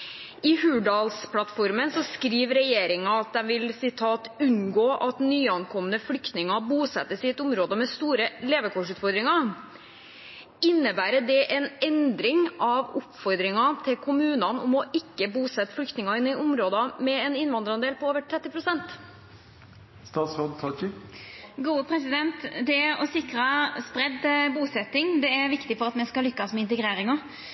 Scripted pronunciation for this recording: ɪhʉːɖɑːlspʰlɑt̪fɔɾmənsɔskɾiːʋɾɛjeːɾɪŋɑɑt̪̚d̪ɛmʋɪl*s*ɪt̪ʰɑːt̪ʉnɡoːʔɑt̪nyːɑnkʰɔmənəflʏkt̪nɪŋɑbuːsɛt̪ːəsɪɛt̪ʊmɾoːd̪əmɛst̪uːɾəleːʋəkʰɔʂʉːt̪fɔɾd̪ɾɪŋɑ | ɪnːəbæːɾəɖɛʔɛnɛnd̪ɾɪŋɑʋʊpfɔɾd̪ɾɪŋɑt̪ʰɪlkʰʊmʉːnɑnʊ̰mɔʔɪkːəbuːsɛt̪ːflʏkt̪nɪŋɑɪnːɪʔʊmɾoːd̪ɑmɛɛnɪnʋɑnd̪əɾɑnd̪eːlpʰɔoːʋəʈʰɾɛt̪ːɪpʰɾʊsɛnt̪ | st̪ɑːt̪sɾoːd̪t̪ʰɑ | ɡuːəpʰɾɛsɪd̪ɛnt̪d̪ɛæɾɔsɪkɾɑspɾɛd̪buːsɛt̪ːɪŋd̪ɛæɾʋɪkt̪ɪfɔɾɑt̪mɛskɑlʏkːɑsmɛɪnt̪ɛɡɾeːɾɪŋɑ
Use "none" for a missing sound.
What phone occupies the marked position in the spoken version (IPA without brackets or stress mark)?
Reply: s